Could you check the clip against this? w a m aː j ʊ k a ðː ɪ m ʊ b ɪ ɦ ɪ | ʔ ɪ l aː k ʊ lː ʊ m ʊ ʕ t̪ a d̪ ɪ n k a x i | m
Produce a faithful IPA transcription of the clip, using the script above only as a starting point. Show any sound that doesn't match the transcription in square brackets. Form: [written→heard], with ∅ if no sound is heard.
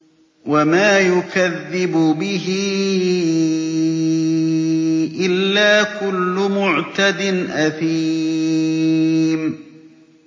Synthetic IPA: w a m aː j ʊ k a ðː ɪ [m→b] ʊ b ɪ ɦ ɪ | ʔ ɪ [l→lː] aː k ʊ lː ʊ m ʊ ʕ t̪ a d̪ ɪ n [k→ʔ] a [x→θ] i | m